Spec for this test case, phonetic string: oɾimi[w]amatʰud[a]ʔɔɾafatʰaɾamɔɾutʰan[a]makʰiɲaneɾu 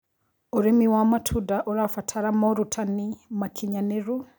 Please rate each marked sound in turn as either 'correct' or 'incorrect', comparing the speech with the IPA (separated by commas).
correct, correct, incorrect